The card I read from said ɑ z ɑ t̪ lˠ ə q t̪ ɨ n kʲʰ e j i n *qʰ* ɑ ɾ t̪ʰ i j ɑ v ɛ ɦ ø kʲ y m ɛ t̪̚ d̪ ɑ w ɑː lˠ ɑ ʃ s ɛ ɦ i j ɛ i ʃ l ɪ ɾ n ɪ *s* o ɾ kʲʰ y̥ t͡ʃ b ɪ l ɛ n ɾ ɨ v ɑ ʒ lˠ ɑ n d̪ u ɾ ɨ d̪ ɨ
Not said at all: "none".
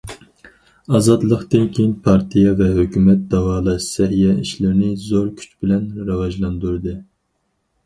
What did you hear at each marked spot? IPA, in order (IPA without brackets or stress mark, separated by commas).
pʰ, z